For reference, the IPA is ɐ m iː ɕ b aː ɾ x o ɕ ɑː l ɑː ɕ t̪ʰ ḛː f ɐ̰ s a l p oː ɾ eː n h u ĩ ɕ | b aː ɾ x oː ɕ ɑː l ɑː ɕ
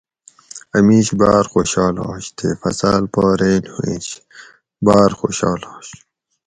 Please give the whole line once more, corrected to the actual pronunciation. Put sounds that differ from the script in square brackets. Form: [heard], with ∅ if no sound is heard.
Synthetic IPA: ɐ m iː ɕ b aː ɾ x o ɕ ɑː l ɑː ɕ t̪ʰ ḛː f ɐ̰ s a l p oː ɾ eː n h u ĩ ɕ | b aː ɾ x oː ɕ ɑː l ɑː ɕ